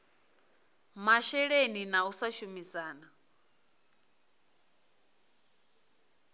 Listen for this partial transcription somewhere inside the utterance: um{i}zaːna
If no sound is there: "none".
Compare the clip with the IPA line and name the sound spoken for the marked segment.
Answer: i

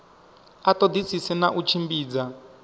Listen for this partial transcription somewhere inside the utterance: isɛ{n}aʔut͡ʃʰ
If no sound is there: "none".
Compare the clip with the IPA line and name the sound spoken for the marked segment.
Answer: n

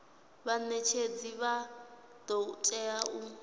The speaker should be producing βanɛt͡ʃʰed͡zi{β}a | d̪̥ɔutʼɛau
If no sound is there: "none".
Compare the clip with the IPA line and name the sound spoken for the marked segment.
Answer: β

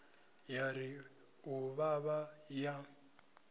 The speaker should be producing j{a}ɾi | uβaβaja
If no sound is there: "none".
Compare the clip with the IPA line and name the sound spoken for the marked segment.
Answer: a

